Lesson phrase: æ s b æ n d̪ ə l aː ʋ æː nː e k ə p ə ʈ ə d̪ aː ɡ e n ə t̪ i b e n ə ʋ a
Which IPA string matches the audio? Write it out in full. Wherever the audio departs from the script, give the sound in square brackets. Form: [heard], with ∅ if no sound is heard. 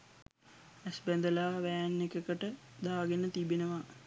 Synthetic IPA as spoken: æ s b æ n d̪ ə l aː ʋ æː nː e k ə [k] ə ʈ ə d̪ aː ɡ e n ə t̪ i b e n ə ʋ a